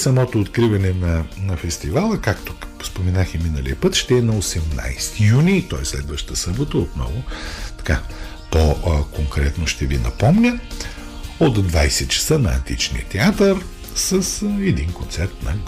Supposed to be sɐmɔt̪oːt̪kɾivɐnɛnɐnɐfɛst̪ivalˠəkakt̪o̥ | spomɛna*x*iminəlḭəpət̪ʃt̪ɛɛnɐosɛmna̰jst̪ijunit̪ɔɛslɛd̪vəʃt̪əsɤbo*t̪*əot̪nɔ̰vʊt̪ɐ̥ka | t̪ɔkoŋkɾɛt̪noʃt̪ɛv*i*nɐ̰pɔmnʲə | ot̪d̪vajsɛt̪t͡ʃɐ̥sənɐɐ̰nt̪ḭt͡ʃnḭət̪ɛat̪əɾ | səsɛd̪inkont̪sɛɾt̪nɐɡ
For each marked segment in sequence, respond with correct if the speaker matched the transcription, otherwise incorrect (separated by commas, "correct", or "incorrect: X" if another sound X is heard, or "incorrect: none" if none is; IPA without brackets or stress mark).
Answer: correct, correct, correct